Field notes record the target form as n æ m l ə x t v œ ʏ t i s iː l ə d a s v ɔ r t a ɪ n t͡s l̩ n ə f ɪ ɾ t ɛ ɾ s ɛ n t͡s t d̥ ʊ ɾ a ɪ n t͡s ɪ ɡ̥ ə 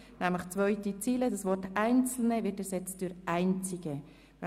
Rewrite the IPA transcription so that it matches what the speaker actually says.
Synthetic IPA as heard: n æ m l ə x t͡s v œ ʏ t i t͡s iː l ə d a s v ɔ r t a ɪ n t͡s l̩ n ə v ɪ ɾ t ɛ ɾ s ɛ t͡s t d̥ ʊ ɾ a ɪ n t͡s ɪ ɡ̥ ə